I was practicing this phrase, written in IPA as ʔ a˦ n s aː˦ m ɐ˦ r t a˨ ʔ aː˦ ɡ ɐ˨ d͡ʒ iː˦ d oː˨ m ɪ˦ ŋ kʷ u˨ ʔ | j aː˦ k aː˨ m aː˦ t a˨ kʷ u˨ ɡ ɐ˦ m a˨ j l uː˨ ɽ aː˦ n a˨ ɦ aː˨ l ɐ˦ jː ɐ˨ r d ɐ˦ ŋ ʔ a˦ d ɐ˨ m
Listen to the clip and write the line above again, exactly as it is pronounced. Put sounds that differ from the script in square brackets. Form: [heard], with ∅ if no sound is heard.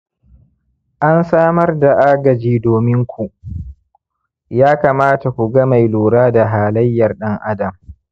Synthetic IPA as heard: ʔ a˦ n s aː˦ m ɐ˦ r [d] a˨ ʔ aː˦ ɡ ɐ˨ d͡ʒ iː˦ d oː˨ m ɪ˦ ŋ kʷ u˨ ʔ | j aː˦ k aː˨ m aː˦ t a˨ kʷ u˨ ɡ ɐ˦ m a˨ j l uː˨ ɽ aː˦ [d] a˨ ɦ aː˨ l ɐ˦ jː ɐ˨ r [ɗ] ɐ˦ ŋ ʔ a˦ d ɐ˨ m